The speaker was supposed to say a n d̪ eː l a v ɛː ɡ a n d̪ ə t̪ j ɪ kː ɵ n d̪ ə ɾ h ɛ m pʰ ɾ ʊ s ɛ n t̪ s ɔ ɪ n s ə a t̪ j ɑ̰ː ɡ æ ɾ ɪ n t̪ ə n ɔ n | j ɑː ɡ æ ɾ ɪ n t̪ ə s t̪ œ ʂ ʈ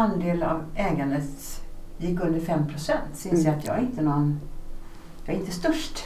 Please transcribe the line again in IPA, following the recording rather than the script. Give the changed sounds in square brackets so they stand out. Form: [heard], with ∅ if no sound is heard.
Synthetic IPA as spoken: a n d̪ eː l a v ɛː ɡ a n d̪ ə t̪ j ɪ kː ɵ n d̪ ə ɾ [f] ɛ m pʰ ɾ ʊ s ɛ n t̪ s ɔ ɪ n s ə a t̪ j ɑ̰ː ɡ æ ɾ ɪ n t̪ ə n ɔ n | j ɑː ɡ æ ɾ ɪ n t̪ ə s t̪ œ ʂ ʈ